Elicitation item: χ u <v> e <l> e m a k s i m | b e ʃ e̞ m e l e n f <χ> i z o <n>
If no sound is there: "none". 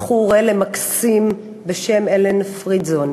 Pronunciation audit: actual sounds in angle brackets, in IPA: ʁ, l, ʁ, n

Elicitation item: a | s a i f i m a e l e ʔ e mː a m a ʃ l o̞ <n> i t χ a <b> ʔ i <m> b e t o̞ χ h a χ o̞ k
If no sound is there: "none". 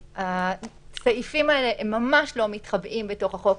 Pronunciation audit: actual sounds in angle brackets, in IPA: m, b, m

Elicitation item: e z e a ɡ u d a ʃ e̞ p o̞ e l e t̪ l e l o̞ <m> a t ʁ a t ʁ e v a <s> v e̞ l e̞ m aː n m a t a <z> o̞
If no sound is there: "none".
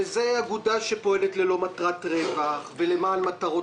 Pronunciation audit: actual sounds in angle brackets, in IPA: m, χ, ʁ

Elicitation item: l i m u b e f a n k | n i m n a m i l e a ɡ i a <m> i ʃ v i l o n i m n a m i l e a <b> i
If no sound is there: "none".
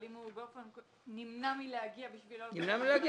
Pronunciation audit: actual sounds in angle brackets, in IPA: b, ɡ

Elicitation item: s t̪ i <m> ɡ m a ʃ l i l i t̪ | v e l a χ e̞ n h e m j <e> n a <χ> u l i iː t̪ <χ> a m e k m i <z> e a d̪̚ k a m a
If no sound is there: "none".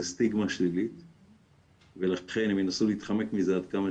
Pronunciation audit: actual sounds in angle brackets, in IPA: none, e, s, χ, z

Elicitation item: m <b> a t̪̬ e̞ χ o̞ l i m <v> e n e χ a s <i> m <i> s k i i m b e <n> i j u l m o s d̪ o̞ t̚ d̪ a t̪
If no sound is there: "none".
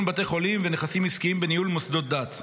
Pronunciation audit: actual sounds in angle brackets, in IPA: b, v, i, i, n

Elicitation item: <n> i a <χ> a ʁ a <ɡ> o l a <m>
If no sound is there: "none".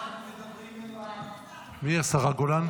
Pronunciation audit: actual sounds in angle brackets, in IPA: m, s, ɡ, n

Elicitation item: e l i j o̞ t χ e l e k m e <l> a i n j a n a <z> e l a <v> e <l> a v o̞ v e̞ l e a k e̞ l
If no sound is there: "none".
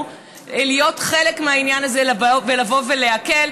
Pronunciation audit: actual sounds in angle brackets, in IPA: none, z, v, l

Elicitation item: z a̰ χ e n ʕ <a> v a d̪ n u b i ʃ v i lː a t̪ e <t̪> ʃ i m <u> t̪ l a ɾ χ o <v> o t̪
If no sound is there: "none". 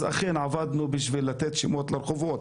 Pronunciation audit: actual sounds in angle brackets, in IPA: a, t̪, o, v

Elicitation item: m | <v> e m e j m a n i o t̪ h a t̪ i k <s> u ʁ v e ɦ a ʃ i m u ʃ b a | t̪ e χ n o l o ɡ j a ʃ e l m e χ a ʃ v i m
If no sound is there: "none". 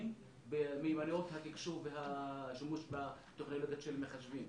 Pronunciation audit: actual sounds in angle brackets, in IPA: b, ʃ

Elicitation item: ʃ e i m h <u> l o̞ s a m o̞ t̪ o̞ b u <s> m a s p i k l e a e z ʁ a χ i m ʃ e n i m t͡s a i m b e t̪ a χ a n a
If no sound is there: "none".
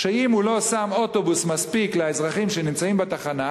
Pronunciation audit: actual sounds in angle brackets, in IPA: u, s

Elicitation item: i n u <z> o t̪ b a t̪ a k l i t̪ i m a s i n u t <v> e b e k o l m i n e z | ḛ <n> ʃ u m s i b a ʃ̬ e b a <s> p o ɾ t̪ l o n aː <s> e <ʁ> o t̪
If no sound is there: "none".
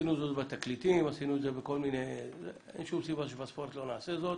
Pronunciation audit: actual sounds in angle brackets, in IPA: z, z, n, s, s, z

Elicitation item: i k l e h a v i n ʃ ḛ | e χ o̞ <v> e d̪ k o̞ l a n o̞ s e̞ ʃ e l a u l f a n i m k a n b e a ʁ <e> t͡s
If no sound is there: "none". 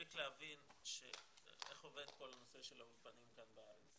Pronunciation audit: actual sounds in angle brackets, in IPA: v, e

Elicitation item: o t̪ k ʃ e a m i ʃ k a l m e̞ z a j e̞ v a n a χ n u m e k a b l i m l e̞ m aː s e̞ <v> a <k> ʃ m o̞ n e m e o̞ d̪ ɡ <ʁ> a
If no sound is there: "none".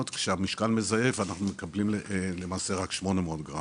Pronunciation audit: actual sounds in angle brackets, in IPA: ʁ, k, ʁ

